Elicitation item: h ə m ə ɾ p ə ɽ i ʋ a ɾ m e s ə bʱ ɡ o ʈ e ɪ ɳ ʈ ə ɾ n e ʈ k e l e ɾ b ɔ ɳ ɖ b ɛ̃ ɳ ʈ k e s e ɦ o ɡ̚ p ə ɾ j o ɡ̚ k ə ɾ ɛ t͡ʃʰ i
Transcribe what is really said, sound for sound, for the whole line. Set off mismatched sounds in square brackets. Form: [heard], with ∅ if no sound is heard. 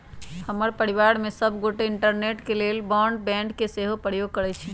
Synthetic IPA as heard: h ə m ə ɾ p ə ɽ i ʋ a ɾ m e s ə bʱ ɡ o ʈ e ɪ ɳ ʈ ə ɾ n e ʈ k e l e [l] b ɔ ɳ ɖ b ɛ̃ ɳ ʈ k e s e ɦ o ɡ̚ p ə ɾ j o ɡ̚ k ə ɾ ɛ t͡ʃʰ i